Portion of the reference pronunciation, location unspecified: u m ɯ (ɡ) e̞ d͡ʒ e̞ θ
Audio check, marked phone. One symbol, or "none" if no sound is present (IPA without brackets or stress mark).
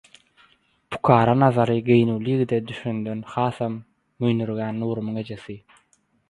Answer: ŋ